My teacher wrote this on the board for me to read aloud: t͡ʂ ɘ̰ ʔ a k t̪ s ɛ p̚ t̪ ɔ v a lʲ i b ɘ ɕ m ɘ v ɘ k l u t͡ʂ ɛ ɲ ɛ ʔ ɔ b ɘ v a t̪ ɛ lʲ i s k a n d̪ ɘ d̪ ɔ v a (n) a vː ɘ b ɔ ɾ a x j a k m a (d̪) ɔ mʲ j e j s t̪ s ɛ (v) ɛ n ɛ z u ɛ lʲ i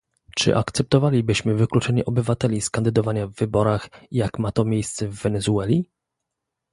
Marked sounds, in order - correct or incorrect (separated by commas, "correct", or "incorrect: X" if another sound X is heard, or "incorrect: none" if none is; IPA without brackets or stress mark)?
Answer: incorrect: ɲ, incorrect: t̪, incorrect: vː